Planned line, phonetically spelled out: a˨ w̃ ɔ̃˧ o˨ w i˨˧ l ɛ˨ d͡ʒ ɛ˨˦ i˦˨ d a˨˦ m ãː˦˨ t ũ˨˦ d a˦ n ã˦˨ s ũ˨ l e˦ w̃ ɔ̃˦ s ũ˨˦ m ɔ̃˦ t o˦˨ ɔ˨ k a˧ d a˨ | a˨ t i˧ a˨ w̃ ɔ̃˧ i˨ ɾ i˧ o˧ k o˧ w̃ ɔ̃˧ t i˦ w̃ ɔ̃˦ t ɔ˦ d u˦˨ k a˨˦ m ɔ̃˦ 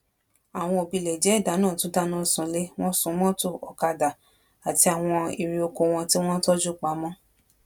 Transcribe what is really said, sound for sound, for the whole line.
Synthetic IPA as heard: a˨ w̃ ɔ̃˧ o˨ b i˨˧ l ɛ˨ d͡ʒ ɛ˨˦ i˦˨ d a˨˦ n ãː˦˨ t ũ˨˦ d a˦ n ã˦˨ s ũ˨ l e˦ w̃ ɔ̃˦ s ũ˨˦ m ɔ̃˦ t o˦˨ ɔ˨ k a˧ d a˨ | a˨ t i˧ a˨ w̃ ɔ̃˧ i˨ ɾ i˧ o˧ k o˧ w̃ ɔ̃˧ t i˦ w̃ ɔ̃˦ t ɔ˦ d͡ʒ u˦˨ k͡p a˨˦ m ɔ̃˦